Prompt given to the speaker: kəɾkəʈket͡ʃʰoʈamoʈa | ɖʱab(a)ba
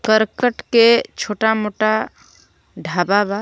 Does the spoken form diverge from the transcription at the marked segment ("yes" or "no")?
no